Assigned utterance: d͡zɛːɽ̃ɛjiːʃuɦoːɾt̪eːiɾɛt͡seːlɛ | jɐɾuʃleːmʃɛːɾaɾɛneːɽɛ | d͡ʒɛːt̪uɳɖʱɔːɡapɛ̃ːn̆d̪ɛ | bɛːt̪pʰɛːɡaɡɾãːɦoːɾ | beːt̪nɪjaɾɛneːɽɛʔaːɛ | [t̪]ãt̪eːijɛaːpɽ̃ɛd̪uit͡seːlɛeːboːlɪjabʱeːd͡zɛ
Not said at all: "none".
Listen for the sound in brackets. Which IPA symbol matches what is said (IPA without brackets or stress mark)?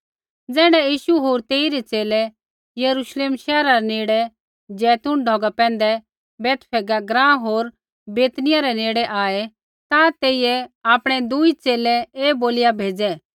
t̪